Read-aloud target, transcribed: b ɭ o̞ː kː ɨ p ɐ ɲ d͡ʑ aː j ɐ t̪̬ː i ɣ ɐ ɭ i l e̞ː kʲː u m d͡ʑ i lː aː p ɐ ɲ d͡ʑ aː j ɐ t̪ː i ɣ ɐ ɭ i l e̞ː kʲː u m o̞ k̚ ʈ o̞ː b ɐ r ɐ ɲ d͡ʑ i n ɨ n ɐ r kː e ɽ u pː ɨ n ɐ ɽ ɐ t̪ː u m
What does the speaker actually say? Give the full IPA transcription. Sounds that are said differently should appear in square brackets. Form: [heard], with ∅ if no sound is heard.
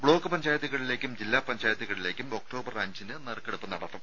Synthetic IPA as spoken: b ɭ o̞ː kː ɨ p ɐ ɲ d͡ʑ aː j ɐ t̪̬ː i ɣ ɐ ɭ i l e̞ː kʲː u m d͡ʑ i lː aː p ɐ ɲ d͡ʑ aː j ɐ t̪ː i ɣ ɐ ɭ i l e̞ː kʲː u m o̞ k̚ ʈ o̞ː b ɐ r ɐ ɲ d͡ʑ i n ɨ n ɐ r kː e ɽ u pː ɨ n ɐ ɽ ɐ t̪ː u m